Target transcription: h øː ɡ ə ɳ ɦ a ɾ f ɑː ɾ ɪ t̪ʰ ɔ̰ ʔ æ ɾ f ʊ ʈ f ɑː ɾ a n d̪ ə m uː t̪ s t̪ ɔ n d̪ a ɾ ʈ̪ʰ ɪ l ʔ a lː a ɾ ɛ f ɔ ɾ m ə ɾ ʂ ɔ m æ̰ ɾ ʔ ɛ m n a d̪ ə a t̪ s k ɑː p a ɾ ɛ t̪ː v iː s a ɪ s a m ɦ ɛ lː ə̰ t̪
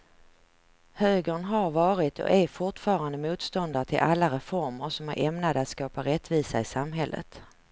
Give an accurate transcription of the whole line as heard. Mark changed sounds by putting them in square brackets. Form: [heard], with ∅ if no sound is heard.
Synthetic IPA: h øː ɡ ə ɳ ɦ a ɾ [v] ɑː ɾ ɪ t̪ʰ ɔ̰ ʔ æ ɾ f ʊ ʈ f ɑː ɾ a n d̪ ə m uː t̪ s t̪ ɔ n d̪ a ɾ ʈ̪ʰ ɪ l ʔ a lː a ɾ ɛ f ɔ ɾ m ə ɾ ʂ ɔ m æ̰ ɾ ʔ ɛ m n a d̪ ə a t̪ s k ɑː p a ɾ ɛ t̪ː v iː s a ɪ s a m ɦ ɛ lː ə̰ t̪

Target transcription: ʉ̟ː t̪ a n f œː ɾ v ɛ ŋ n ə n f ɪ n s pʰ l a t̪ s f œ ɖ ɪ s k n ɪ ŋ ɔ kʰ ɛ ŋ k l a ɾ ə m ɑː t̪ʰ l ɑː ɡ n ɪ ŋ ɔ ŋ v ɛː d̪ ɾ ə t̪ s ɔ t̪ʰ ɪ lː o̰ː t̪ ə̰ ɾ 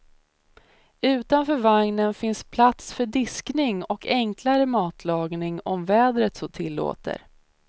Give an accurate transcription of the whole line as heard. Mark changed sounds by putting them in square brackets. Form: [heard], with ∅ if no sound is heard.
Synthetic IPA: ʉ̟ː t̪ a n f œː ɾ v [a] ŋ n ə n f ɪ n s pʰ l a t̪ s f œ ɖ ɪ s k n ɪ ŋ ɔ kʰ ɛ ŋ k l a ɾ ə m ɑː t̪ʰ l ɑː ɡ n ɪ ŋ ɔ [m] v ɛː d̪ ɾ ə t̪ s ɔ t̪ʰ ɪ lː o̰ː t̪ ə̰ ɾ

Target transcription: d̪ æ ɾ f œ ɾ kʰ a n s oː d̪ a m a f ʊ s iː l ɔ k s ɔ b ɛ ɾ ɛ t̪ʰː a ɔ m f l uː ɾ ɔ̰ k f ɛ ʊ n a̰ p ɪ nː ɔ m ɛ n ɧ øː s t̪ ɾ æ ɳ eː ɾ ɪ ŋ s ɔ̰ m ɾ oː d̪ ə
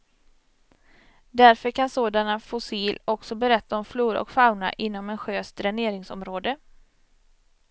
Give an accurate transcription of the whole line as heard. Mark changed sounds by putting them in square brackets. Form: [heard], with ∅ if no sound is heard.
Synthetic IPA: d̪ æ ɾ f œ ɾ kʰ a n s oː d̪ a [n] a f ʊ s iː l ɔ k s ɔ b ɛ ɾ ɛ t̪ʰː a ɔ m f l uː ɾ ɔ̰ k f [a] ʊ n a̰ [ʔ] ɪ nː ɔ m ɛ n ɧ øː s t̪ ɾ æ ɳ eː ɾ ɪ ŋ s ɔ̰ m ɾ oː d̪ ə

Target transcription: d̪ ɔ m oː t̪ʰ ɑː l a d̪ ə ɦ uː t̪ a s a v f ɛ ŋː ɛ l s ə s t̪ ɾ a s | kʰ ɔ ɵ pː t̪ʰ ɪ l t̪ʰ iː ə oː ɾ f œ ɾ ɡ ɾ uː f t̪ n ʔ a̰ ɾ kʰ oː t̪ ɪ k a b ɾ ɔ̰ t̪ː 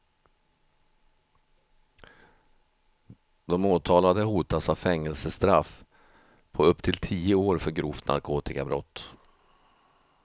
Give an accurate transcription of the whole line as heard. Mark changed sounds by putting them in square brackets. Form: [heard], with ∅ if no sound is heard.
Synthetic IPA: d̪ ɔ m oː t̪ʰ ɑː l a d̪ ə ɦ uː t̪ a s a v f ɛ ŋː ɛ l s ə s t̪ ɾ a [f] | [pʰ] ɔ ɵ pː t̪ʰ ɪ l t̪ʰ iː ə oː ɾ f œ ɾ ɡ ɾ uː f t̪ n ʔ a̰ ɾ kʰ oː t̪ ɪ k a b ɾ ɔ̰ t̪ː

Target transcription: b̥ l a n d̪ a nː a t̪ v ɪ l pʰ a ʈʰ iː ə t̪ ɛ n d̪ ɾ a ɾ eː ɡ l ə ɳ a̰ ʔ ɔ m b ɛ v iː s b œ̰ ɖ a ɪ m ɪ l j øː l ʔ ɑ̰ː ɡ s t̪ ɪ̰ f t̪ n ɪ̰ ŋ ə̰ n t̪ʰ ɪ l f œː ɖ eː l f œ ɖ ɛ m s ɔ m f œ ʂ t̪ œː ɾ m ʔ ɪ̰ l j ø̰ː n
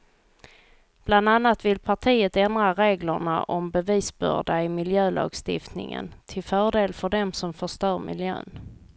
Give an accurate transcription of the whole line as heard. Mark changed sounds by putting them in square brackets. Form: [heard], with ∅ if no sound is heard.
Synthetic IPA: b̥ l a n d̪ a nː a t̪ v ɪ l pʰ a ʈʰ iː ə t̪ ɛ n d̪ ɾ a ɾ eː ɡ l ə ɳ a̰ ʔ ɔ m b ɛ v iː s b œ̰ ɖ a ɪ m ɪ l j øː l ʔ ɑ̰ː ɡ s t̪ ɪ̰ f t̪ n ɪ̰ ŋ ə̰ n t̪ʰ ɪ l f œː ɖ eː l f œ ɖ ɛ m s ɔ m f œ ʂ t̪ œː ɾ m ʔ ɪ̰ l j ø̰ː n

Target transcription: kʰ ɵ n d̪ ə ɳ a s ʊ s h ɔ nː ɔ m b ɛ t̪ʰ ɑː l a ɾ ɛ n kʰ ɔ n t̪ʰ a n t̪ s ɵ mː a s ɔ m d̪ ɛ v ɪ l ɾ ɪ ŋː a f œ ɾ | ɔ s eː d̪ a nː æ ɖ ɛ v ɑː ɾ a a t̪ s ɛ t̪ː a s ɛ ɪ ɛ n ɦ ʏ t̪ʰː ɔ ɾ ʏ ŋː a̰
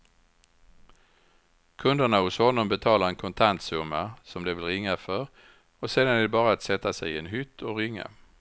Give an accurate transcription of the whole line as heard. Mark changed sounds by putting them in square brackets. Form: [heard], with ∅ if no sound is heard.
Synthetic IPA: kʰ ɵ n d̪ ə ɳ a [h] ʊ s h ɔ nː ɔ m b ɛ t̪ʰ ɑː l a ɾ ɛ n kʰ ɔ n t̪ʰ a n t̪ s ɵ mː a s ɔ m d̪ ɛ v ɪ l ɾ ɪ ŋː a f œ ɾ | ɔ s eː d̪ a [n] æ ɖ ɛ [b] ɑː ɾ a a t̪ s ɛ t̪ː a s ɛ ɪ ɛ n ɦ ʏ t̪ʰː ɔ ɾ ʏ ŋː a̰

